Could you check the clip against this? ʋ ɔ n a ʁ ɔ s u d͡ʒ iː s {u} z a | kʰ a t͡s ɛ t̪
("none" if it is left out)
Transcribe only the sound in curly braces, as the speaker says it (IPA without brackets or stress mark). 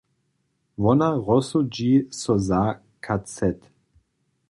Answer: ɔ